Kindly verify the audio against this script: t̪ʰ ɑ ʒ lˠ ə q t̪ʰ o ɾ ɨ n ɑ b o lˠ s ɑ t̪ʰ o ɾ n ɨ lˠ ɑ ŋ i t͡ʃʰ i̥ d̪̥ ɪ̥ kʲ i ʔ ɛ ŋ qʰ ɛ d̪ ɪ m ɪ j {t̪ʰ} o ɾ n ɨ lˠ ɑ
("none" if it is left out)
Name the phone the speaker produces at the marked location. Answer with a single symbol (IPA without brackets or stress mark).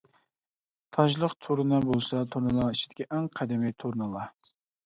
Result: t̪ʰ